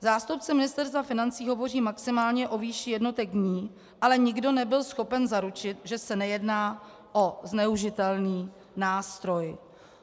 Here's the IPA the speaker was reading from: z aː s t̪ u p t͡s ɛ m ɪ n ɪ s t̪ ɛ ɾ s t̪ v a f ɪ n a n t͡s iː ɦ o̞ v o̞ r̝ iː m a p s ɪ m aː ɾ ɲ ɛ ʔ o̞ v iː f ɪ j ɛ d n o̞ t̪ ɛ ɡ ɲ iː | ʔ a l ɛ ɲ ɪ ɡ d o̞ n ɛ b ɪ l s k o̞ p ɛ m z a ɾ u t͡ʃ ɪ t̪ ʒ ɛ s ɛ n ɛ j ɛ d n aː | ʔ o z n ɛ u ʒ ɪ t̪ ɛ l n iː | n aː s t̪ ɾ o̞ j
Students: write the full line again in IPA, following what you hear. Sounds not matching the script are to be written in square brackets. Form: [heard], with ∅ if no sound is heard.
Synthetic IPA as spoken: z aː s t̪ u p t͡s ɛ m ɪ n ɪ s t̪ ɛ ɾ s t̪ v a f ɪ n a n t͡s iː ɦ o̞ v o̞ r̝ iː m a [k] s ɪ m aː [l] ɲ ɛ ʔ o̞ v iː [ʃ] ɪ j ɛ d n o̞ t̪ ɛ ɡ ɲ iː | ʔ a l ɛ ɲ ɪ ɡ d o̞ n ɛ b ɪ l s [x] o̞ p ɛ [n] z a ɾ u t͡ʃ ɪ t̪ ʒ ɛ s ɛ n ɛ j ɛ d n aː | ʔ o z n ɛ u ʒ ɪ t̪ ɛ l n iː | n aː s t̪ ɾ o̞ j